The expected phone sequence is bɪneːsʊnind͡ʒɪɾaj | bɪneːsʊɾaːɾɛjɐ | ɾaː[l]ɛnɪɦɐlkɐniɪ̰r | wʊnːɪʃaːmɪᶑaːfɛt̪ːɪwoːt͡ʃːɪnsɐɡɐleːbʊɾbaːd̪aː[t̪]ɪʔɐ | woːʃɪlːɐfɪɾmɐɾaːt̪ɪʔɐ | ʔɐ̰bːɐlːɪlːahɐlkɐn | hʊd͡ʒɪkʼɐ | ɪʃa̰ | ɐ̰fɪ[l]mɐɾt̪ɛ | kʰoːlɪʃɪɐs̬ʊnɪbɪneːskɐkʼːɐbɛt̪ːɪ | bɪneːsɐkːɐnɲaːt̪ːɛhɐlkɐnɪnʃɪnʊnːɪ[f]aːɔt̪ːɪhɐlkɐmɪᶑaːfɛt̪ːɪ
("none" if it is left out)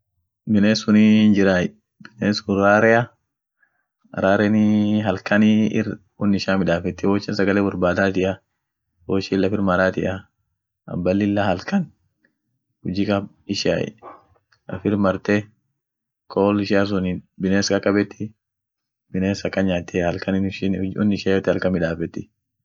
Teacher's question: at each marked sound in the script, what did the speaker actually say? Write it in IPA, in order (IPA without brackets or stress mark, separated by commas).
ɾ, t̪, ɾ, ʃ